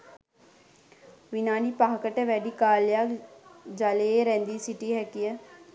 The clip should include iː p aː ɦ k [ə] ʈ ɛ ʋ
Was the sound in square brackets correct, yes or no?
yes